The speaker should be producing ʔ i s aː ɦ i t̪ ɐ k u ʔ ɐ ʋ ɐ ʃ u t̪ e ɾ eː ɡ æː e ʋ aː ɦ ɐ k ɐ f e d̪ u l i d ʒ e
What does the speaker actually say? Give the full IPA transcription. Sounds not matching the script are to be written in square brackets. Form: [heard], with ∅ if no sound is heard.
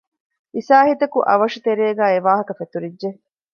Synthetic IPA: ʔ i s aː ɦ i t̪ ɐ k u ʔ ɐ ʋ ɐ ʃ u t̪ e ɾ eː ɡ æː e ʋ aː ɦ ɐ k ɐ f e [t̪] u [ɾ] i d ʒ e